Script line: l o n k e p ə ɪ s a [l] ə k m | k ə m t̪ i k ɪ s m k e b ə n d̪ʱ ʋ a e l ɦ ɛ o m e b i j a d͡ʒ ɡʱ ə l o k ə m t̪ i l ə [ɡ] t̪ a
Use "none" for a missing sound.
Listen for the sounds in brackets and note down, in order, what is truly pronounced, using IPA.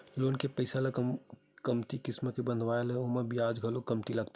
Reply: l, ɡ

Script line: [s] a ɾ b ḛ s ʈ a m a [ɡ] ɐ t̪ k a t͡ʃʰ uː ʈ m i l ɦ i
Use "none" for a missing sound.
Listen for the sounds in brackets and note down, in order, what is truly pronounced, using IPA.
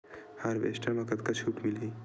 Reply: h, k

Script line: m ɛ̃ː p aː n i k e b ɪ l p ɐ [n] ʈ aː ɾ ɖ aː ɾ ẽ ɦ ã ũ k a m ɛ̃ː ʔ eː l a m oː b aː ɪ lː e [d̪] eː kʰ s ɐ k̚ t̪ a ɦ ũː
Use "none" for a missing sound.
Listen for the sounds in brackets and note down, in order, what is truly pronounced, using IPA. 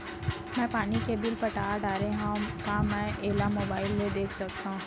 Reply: none, d̪

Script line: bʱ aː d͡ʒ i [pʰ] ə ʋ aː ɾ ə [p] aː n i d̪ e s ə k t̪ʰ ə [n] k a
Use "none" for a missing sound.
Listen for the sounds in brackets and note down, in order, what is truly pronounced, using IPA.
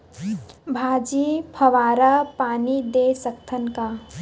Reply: pʰ, p, n

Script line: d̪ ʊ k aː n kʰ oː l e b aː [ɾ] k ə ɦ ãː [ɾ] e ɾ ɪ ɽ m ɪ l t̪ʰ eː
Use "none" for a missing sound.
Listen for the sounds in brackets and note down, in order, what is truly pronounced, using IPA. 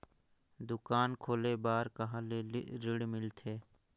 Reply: ɾ, l

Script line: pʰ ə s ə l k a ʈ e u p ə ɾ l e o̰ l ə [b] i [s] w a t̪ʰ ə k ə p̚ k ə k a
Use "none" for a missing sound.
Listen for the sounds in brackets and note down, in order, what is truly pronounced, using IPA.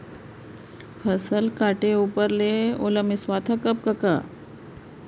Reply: m, s

